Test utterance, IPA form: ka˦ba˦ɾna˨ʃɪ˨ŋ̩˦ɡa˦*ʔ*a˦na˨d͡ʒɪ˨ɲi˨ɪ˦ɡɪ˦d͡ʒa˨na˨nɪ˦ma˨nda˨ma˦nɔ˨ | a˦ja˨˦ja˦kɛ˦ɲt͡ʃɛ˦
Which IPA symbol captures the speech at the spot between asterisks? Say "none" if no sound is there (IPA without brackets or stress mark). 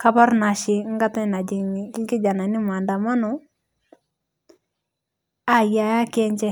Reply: t